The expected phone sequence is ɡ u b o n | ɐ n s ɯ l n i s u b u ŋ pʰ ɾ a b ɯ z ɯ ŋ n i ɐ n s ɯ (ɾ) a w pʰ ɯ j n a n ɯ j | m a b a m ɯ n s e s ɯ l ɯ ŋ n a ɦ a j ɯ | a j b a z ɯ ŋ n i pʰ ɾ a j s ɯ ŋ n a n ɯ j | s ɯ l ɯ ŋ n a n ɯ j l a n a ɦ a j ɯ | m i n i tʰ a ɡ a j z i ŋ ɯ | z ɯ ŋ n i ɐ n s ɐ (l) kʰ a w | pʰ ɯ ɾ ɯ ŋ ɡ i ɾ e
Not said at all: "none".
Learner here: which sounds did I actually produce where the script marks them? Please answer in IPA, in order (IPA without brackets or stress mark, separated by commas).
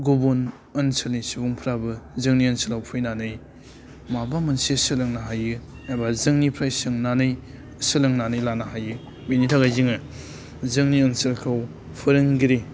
l, l